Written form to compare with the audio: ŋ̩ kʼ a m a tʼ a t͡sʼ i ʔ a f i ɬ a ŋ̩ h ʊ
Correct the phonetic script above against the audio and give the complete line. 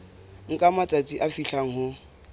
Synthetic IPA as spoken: ŋ̩ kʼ a m a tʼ a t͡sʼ i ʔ a f i ɬ a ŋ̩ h ʊ